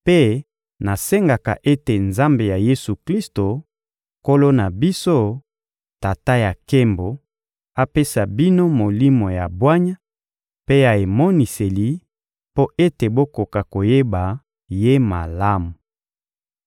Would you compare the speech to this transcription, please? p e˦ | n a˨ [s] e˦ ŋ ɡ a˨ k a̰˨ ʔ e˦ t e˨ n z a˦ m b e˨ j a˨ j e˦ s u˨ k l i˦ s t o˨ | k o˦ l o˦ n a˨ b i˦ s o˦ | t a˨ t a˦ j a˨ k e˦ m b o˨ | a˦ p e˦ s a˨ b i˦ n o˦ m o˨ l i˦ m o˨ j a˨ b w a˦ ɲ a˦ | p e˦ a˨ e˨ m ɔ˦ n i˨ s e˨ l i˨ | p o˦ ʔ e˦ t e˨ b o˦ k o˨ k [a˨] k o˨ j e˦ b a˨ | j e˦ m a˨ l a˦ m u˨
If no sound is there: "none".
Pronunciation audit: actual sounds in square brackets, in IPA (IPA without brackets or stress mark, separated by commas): s, a˨